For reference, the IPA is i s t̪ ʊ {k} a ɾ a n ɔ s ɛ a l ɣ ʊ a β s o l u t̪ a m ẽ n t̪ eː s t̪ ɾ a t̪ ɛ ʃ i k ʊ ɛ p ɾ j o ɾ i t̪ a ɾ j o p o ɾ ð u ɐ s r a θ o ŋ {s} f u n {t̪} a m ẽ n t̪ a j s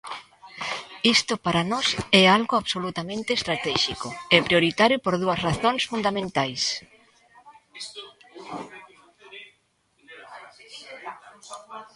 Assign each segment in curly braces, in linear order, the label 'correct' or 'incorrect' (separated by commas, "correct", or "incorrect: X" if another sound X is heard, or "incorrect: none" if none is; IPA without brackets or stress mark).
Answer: incorrect: p, correct, incorrect: d̪